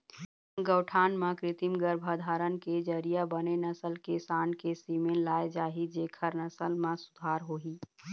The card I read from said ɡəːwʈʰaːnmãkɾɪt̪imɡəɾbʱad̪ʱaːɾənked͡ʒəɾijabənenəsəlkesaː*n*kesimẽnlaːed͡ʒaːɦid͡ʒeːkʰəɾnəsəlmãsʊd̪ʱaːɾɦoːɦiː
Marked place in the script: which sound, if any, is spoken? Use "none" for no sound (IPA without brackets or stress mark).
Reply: n